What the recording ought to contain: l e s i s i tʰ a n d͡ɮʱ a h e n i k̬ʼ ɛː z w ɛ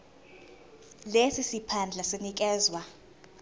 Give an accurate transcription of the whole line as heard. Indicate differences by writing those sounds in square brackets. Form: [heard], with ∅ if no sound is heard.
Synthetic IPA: l e s i s i [pʰ] a n d͡ɮʱ a [s] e n i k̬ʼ ɛː z w [a]